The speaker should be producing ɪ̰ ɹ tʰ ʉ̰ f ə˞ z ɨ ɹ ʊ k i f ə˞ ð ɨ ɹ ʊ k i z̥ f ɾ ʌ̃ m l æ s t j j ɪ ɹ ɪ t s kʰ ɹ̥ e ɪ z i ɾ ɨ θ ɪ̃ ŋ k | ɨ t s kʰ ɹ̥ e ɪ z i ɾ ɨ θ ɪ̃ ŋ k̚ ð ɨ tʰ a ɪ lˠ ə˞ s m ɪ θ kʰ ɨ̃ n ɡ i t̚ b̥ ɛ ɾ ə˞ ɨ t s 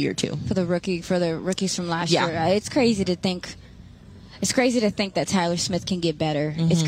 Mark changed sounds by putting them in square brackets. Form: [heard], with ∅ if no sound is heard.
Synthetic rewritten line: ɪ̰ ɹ tʰ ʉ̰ f ə˞ [ð] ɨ ɹ ʊ k i f ə˞ ð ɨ ɹ ʊ k i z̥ f [ɹ] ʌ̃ m l æ s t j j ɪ ɹ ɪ t s kʰ ɹ̥ e ɪ z i ɾ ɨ θ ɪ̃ ŋ k | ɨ t s kʰ ɹ̥ e ɪ z i ɾ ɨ θ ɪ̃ ŋ k̚ ð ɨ tʰ a ɪ lˠ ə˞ s m ɪ θ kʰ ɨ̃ n ɡ [ɛ] t̚ b̥ ɛ ɾ ə˞ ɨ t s